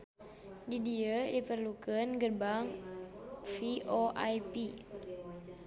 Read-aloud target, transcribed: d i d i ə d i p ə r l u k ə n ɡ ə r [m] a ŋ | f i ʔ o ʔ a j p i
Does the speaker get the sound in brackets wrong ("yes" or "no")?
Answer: yes